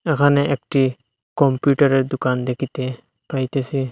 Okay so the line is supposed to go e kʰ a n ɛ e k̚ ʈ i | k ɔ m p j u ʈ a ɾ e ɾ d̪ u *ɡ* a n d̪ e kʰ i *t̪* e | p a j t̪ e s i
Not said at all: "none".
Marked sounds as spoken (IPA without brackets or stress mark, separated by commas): k, t̪